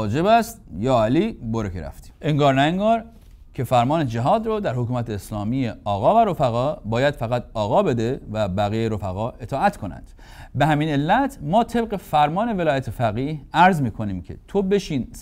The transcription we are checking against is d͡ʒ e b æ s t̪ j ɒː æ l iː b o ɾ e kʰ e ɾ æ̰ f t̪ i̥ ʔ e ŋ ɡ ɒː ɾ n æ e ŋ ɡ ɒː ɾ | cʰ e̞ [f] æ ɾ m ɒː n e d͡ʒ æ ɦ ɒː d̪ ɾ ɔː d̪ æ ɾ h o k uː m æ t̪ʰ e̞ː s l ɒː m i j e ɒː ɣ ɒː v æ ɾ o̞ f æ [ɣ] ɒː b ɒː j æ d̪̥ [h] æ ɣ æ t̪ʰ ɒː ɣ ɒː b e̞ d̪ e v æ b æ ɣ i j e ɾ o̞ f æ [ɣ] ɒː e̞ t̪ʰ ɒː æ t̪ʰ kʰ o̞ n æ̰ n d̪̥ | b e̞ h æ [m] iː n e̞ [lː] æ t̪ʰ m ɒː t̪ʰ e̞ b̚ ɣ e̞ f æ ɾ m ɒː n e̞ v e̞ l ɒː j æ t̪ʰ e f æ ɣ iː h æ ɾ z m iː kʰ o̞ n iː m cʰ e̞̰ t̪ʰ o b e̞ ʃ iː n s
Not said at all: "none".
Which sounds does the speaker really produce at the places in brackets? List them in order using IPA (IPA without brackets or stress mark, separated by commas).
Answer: f, ɣ, f, ɣ, m, lː